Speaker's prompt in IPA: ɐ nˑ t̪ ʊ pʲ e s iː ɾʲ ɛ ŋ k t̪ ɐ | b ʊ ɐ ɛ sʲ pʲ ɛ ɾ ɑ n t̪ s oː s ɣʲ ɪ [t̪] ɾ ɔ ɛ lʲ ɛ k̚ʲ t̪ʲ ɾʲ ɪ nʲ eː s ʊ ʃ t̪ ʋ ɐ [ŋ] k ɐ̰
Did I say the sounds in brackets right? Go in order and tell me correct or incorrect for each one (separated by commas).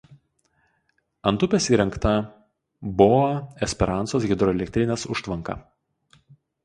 incorrect, correct